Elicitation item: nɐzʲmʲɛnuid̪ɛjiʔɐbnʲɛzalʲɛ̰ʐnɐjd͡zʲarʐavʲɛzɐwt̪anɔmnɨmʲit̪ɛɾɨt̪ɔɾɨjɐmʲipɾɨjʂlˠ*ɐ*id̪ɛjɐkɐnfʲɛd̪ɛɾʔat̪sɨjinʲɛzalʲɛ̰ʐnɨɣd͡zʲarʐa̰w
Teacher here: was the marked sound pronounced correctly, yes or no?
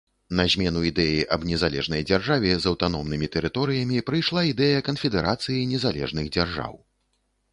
no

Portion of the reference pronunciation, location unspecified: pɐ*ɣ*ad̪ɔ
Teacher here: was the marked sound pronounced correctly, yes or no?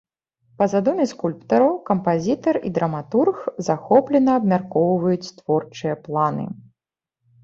no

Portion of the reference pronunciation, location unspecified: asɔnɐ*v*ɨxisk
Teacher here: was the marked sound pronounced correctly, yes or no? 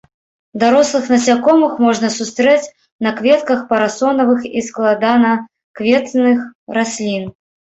yes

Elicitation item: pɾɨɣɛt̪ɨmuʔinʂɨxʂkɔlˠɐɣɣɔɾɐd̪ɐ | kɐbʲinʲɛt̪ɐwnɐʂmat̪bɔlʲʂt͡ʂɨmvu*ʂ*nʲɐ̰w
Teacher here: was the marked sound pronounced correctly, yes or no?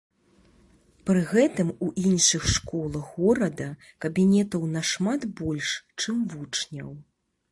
no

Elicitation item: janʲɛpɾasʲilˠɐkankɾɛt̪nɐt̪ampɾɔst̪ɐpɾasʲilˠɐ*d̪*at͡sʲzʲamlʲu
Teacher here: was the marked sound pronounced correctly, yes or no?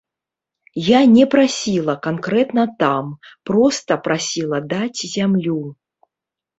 yes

